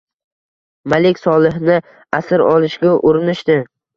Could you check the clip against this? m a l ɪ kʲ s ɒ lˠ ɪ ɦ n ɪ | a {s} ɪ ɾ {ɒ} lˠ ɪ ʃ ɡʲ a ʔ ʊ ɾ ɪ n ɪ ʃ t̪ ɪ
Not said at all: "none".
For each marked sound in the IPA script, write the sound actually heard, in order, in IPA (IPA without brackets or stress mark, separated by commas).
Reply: s, ɒ